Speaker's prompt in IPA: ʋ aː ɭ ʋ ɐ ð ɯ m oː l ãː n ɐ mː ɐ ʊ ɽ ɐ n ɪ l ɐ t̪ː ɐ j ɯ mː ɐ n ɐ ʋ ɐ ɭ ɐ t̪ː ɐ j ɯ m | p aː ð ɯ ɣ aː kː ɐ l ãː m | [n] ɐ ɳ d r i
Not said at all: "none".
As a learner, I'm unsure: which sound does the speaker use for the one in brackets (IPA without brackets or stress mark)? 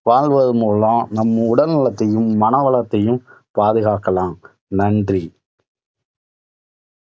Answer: n